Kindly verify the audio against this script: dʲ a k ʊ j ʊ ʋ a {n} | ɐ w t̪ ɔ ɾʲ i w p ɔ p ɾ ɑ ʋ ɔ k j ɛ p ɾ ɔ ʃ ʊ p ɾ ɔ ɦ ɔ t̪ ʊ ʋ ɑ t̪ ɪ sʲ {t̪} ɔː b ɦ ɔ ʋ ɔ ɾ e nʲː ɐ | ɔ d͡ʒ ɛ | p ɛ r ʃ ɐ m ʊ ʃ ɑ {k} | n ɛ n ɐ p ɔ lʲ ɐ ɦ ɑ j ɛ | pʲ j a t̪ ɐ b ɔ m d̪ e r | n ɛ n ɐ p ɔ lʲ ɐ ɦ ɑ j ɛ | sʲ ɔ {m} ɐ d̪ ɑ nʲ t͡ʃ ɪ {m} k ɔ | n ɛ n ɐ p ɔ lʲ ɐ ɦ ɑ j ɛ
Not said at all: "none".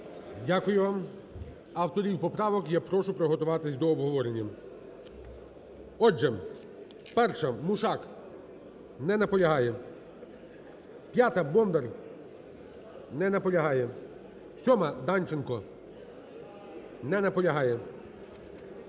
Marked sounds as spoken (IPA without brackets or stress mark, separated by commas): m, d̪, k, m, n